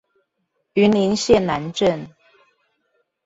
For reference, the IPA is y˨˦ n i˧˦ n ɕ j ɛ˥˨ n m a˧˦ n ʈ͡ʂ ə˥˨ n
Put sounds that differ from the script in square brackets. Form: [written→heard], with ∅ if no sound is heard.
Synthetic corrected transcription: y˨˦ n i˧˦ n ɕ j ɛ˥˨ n [m→n] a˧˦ n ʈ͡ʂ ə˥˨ n